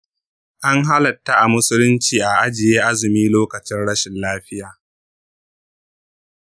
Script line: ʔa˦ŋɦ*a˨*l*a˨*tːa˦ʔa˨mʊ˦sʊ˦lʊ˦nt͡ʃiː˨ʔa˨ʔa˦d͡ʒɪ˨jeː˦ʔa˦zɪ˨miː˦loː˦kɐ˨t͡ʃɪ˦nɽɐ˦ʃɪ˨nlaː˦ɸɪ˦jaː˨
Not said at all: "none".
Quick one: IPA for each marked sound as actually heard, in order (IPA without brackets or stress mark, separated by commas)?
a˦, ɐ˨